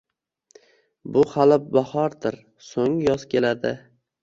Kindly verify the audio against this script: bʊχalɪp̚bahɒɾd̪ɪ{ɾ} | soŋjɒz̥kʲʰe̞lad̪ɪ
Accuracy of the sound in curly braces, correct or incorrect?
correct